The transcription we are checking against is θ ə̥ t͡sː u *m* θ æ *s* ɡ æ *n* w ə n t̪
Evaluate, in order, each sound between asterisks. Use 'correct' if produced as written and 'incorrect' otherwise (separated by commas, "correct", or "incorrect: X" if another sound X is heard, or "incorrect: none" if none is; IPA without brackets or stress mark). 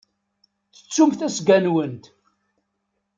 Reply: correct, correct, correct